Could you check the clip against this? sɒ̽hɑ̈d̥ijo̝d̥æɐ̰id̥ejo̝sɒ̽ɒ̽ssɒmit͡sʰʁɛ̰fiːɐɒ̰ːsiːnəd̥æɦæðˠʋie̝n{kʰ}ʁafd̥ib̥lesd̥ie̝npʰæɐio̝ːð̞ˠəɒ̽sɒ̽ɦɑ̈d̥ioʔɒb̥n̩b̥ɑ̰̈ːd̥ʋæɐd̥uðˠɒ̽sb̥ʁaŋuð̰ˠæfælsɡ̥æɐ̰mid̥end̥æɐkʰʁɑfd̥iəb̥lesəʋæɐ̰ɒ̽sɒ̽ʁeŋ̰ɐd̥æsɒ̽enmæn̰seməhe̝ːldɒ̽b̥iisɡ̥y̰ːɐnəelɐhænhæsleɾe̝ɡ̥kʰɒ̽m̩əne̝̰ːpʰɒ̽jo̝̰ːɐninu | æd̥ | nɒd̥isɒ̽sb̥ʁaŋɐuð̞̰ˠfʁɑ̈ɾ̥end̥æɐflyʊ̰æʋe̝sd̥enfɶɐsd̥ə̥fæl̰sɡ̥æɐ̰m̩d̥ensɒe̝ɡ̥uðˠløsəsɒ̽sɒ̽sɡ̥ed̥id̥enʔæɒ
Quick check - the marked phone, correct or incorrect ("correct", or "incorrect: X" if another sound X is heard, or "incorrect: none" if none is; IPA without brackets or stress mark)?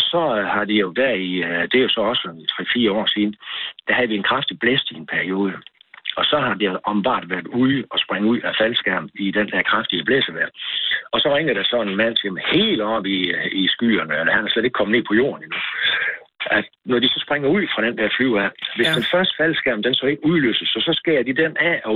correct